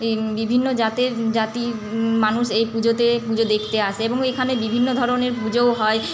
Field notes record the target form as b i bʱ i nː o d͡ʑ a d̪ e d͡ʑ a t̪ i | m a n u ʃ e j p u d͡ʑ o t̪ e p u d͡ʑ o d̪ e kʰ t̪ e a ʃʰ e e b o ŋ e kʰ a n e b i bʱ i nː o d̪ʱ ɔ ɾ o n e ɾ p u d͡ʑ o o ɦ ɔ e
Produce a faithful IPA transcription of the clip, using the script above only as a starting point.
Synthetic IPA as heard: b i bʱ i nː o d͡ʑ a t̪ e d͡ʑ a t̪ i | m a n u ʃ e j p u d͡ʑ o t̪ e p u d͡ʑ o d̪ e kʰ t̪ e a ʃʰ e e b o ŋ e kʰ a n e b i bʱ i nː o d̪ʱ ɔ ɾ o n e ɾ p u d͡ʑ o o ɦ ɔ e